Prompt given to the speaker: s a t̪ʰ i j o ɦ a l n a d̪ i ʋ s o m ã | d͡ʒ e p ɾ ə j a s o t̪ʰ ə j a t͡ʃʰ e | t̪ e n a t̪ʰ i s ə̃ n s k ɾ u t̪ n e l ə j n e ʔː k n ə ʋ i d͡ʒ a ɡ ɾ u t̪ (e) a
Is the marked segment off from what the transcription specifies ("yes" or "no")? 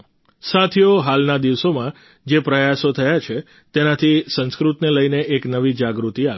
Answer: yes